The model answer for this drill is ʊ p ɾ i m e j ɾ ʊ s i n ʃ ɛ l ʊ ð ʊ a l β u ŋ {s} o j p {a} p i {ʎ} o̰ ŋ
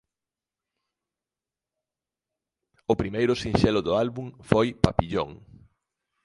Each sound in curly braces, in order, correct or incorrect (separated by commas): incorrect, correct, correct